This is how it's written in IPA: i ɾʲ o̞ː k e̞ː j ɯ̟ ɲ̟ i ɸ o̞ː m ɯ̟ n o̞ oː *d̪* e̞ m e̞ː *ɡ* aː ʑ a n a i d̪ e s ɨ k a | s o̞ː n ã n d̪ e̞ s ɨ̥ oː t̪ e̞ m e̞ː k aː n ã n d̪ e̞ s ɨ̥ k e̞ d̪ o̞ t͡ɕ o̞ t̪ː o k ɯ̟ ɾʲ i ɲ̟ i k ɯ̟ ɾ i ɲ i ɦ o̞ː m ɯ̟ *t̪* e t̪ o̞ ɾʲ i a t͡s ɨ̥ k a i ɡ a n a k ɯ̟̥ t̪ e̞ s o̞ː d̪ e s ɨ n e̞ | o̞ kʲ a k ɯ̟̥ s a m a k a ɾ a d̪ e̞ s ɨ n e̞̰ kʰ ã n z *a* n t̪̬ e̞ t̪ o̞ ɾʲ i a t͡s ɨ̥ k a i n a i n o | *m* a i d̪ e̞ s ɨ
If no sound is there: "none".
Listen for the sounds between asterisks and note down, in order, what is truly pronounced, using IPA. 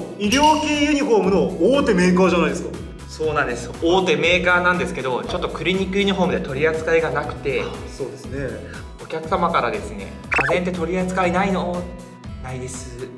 t̪, k, d̪, e, n

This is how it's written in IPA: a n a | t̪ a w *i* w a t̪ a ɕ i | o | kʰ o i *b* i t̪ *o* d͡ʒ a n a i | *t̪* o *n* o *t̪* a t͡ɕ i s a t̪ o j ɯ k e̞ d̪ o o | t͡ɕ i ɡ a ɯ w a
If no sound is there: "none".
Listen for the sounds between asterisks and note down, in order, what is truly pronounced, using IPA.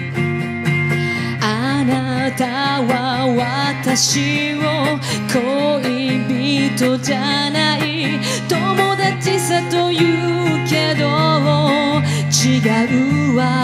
a, b, o, t̪, m, d̪

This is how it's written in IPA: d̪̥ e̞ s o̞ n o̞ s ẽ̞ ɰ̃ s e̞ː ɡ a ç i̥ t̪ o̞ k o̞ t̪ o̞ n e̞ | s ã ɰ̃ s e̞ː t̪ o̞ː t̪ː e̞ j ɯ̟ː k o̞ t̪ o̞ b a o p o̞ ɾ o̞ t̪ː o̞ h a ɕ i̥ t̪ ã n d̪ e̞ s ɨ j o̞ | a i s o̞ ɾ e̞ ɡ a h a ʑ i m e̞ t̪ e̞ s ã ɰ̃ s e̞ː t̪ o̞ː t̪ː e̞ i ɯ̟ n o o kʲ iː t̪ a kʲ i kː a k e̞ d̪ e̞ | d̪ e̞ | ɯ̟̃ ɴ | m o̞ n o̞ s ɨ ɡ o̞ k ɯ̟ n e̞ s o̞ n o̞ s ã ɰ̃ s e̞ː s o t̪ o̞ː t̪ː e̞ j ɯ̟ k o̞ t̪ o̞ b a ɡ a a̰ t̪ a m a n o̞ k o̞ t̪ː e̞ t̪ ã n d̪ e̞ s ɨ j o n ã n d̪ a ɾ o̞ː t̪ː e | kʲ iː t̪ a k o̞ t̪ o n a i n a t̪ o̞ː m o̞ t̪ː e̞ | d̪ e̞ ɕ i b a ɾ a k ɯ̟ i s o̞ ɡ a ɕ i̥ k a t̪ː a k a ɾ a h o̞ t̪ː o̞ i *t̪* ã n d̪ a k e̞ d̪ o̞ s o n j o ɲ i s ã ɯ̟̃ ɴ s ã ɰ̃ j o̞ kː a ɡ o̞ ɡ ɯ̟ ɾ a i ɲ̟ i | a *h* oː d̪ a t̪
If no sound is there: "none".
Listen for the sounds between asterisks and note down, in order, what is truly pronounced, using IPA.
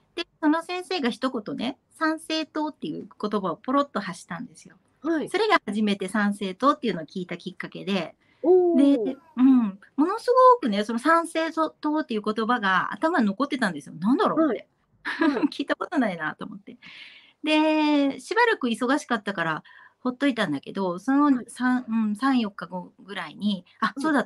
t̪, s

